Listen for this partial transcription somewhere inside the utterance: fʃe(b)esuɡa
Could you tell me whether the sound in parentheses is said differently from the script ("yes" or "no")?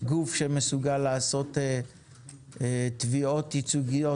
yes